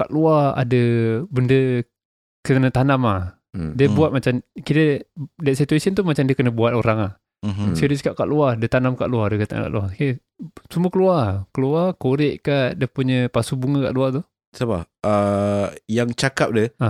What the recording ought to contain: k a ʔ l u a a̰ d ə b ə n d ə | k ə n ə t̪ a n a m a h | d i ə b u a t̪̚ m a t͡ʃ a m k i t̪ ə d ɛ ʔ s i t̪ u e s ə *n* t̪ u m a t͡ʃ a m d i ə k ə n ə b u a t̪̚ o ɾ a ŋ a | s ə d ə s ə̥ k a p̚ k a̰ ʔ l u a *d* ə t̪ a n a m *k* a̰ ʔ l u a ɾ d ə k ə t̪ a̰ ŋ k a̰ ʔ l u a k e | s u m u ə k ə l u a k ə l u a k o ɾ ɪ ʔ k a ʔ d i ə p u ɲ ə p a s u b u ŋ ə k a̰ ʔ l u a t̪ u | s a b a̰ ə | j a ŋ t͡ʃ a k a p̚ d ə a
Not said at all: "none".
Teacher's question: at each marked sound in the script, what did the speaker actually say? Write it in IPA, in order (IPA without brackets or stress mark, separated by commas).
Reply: n, d, k